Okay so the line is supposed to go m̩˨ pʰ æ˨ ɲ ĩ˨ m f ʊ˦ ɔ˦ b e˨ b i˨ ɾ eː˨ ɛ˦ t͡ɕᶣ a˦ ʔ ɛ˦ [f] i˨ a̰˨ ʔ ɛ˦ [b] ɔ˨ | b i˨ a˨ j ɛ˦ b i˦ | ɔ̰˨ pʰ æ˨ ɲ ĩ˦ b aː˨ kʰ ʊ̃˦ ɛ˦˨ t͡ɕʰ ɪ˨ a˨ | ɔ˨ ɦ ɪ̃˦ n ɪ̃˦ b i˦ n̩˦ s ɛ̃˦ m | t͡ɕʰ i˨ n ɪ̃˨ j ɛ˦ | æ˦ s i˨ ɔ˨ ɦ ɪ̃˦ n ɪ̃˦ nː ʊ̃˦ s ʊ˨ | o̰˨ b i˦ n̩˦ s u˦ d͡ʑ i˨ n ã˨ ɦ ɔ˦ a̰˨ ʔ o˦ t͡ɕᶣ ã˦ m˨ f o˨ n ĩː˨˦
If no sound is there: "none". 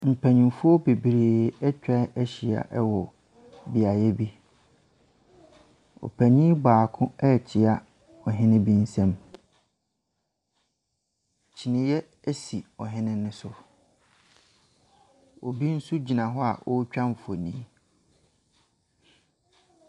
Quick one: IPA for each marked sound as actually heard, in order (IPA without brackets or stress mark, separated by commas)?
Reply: ɕ, w